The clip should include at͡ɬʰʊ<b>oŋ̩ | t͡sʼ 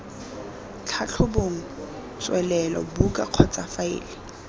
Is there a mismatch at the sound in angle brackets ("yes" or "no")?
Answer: no